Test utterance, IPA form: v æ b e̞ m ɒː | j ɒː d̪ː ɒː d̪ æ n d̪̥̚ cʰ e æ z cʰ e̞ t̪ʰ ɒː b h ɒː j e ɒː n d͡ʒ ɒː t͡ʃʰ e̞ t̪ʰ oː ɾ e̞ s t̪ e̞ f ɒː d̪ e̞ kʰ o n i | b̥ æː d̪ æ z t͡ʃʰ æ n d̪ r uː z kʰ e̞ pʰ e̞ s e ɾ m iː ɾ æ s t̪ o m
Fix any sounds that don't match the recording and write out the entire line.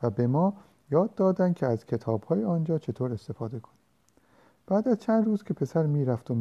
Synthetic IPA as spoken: v æ b e̞ m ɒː | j ɒː d̪ː ɒː d̪ æ n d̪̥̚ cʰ e æ z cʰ e̞ t̪ʰ ɒː b h ɒː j e ɒː n d͡ʒ ɒː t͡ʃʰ e̞ t̪ʰ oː ɾ e̞ s t̪ e̞ f ɒː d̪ e̞ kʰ o n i | b̥ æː d̪ æ z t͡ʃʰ æ n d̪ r uː z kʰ e̞ pʰ e̞ s æ ɾ m iː ɾ æ f t̪ o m